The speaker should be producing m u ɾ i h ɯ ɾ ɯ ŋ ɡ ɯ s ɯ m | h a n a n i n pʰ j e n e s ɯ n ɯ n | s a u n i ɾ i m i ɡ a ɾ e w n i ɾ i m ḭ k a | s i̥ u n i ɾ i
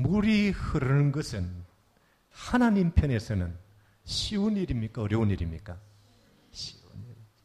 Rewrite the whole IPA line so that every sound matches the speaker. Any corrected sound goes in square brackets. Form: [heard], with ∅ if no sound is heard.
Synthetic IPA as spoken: m u ɾ i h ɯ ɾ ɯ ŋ ɡ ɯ s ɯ [n] | h a n a n i n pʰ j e n e s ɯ n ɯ n | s [i] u n i ɾ i m i [k] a ɾ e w n i ɾ i m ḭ k a | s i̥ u n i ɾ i